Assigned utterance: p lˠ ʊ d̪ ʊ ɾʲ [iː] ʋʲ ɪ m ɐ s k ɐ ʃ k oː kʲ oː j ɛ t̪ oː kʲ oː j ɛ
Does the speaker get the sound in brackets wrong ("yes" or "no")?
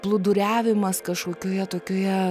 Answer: yes